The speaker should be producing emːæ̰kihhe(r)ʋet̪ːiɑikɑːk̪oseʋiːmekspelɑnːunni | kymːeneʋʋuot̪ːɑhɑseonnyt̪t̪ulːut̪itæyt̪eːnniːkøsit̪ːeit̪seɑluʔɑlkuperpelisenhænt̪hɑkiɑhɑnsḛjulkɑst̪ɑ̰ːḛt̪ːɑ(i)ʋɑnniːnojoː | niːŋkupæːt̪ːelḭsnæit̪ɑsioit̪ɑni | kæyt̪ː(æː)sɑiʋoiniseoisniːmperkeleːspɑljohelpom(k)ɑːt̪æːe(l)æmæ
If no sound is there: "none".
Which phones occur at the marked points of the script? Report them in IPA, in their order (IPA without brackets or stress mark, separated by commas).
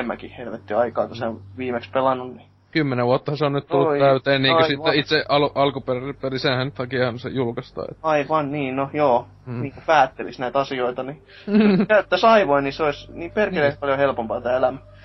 l, i, æ, p, l